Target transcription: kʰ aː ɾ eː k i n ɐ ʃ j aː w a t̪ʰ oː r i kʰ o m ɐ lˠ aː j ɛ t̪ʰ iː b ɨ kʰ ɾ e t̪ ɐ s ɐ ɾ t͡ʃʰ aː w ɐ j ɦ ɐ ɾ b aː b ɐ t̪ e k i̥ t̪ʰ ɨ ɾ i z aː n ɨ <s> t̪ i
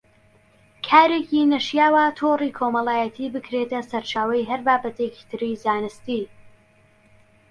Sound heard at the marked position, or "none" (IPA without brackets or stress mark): s